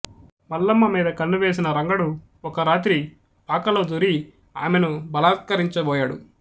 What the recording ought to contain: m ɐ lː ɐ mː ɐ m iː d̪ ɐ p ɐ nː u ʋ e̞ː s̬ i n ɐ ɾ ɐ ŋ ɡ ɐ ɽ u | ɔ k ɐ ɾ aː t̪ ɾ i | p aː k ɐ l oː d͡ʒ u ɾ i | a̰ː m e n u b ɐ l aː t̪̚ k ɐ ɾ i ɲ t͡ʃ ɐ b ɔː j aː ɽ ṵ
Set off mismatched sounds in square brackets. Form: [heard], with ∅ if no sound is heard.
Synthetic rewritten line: m ɐ lː ɐ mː ɐ m iː d̪ ɐ [k] ɐ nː u ʋ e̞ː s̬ i n ɐ ɾ ɐ ŋ ɡ ɐ ɽ u | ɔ k ɐ ɾ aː t̪ ɾ i | p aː k ɐ l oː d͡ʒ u ɾ i | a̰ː m e n u b ɐ l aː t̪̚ k ɐ ɾ i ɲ t͡ʃ ɐ b ɔː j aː ɽ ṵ